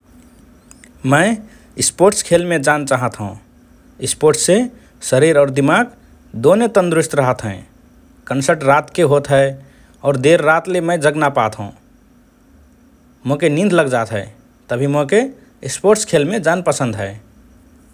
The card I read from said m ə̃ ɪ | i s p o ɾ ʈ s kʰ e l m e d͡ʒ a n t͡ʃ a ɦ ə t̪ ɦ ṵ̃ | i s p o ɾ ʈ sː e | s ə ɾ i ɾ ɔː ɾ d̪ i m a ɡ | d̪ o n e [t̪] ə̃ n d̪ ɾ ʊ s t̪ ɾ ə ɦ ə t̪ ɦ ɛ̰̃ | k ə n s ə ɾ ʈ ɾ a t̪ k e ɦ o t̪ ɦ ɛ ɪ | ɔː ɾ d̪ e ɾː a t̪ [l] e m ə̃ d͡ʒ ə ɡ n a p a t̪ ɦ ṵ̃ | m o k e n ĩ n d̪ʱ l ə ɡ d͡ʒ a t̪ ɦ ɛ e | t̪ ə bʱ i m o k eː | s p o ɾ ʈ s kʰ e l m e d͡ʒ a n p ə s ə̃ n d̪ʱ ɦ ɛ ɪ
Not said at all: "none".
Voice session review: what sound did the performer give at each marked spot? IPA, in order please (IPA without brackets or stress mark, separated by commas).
t̪, l